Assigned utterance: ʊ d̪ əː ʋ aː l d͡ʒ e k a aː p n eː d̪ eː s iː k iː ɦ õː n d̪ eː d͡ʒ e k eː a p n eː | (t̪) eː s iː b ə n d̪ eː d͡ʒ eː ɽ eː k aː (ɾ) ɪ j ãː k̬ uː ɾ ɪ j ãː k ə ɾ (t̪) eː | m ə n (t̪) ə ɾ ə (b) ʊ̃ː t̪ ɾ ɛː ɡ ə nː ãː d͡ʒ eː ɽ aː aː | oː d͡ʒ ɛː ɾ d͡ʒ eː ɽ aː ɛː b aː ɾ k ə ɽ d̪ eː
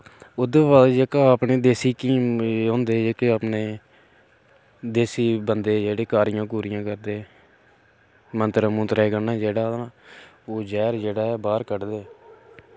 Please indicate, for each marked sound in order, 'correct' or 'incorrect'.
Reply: incorrect: d̪, correct, incorrect: d̪, correct, incorrect: m

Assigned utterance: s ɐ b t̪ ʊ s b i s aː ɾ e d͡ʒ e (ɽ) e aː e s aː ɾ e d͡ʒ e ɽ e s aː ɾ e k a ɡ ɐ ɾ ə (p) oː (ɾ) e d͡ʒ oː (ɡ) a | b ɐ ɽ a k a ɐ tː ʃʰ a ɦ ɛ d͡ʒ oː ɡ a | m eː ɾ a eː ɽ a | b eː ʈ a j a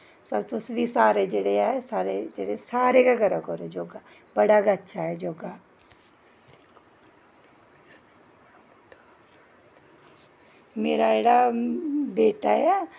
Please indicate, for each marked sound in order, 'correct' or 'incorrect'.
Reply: correct, incorrect: k, correct, correct

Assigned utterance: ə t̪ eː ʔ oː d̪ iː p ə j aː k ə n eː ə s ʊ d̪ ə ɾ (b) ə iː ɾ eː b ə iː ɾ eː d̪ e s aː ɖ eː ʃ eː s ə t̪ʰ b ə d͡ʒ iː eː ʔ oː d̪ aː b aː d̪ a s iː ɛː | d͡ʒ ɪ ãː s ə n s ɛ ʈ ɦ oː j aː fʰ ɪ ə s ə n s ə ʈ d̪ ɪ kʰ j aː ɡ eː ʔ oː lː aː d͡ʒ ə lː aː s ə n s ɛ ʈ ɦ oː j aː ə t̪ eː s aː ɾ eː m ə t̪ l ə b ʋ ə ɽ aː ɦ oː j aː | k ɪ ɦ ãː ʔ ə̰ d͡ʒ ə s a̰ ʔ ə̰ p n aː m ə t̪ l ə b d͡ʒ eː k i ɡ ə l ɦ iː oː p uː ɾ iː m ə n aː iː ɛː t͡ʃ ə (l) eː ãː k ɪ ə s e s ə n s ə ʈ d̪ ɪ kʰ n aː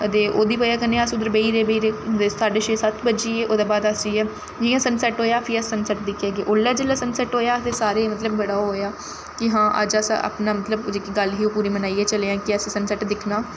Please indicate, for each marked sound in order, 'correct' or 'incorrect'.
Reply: correct, correct

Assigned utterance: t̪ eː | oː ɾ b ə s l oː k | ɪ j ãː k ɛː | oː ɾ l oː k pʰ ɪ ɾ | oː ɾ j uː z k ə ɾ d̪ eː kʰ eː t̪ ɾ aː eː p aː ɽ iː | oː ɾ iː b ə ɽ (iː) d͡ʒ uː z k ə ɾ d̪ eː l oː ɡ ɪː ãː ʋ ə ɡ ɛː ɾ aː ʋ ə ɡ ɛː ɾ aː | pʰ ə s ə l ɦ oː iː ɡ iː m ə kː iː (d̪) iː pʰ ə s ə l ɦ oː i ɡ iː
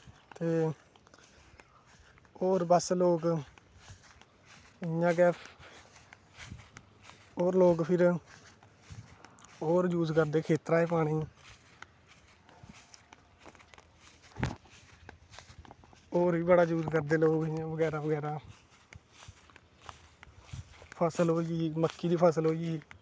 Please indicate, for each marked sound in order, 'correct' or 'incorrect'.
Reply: incorrect: aː, correct

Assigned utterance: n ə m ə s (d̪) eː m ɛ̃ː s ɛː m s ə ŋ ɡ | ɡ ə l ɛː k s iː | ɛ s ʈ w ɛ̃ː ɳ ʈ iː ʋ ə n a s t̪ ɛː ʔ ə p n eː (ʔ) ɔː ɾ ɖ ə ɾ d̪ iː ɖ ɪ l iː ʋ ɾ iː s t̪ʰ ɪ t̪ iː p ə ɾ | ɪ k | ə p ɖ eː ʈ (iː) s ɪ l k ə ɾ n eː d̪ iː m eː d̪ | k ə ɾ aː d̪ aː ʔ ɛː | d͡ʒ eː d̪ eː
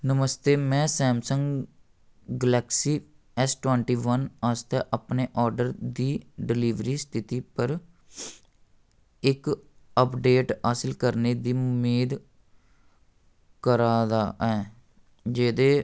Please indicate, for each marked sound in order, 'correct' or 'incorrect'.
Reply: incorrect: t̪, correct, incorrect: aː

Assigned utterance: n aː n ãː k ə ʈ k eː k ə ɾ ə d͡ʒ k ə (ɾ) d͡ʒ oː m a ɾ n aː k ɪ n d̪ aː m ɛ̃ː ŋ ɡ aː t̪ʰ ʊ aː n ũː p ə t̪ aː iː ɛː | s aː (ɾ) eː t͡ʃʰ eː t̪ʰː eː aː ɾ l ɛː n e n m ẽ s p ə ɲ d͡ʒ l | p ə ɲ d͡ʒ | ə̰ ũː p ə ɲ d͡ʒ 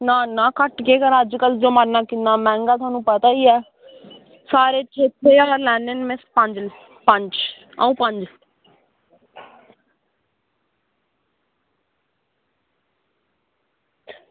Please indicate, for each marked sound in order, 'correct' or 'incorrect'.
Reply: incorrect: l, correct

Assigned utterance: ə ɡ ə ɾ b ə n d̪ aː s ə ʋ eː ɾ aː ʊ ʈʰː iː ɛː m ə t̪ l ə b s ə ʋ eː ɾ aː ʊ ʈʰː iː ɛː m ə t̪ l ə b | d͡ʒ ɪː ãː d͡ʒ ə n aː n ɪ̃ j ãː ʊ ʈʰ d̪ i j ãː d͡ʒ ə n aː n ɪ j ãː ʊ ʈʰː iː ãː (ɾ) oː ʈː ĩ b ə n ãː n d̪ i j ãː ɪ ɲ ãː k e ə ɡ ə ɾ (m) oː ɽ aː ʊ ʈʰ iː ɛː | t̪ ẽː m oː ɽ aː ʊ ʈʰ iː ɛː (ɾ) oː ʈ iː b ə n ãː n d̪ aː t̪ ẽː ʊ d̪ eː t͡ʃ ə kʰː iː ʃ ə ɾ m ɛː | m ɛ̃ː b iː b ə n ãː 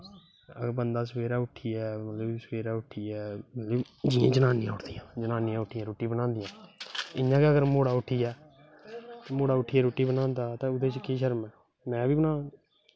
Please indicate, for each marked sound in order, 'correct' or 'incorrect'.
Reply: correct, correct, correct

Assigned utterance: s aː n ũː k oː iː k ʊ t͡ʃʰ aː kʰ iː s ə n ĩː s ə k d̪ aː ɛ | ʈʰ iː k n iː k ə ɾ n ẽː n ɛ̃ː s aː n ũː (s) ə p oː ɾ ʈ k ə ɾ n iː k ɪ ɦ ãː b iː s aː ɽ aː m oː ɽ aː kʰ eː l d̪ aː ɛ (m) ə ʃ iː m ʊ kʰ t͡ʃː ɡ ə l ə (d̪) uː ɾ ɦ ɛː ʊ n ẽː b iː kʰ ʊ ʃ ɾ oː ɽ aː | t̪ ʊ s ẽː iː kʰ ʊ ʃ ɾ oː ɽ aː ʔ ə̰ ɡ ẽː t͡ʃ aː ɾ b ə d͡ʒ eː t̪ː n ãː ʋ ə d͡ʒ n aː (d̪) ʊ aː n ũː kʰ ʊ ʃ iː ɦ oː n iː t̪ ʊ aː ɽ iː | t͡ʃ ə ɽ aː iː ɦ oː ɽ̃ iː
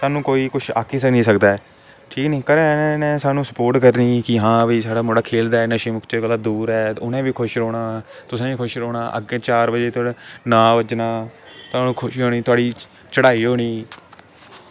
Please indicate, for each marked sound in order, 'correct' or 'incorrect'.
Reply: correct, incorrect: n, correct, incorrect: t̪

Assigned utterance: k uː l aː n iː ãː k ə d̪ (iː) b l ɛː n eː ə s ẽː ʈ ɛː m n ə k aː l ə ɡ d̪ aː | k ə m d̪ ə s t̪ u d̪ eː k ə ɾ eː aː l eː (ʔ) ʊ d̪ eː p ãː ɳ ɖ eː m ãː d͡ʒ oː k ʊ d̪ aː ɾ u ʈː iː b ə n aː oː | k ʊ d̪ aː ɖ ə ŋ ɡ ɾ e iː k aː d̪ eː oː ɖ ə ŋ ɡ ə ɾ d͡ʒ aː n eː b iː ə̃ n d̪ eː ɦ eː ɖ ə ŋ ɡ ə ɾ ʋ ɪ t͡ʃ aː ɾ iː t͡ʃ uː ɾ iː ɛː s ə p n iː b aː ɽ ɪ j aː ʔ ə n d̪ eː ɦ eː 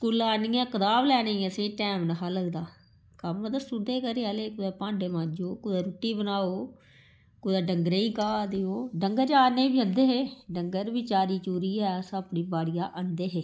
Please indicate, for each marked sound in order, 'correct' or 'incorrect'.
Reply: incorrect: aː, incorrect: k

